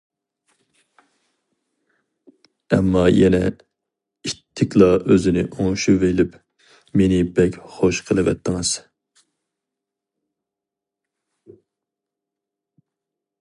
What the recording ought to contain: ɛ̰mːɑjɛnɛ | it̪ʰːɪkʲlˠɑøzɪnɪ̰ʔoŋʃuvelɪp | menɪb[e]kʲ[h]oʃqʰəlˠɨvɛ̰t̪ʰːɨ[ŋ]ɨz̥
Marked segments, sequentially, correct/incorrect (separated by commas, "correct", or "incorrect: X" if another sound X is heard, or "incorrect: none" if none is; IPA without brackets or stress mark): incorrect: ɛ, incorrect: χ, correct